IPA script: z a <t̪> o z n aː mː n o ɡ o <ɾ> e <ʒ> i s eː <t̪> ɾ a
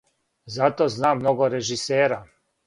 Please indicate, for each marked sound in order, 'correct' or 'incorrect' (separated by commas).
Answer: correct, correct, correct, incorrect